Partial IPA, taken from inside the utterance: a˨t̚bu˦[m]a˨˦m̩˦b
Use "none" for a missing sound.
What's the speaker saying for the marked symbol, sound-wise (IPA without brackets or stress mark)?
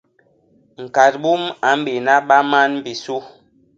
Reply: m